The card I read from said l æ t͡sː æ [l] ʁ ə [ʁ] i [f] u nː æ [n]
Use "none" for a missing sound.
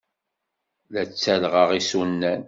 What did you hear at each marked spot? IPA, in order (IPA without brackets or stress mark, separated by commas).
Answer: l, ʁ, s, n